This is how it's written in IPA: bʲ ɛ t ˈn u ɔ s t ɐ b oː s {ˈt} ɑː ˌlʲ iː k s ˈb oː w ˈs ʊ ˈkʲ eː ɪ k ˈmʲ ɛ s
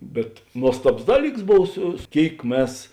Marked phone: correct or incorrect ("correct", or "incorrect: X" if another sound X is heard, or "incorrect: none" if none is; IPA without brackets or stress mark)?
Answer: incorrect: d